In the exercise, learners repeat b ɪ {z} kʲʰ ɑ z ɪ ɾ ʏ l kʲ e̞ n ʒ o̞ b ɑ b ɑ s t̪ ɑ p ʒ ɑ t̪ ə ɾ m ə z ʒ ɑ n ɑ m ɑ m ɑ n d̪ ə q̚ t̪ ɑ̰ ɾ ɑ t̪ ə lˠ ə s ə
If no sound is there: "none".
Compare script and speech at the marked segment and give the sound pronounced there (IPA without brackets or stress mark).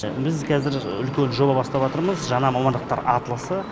z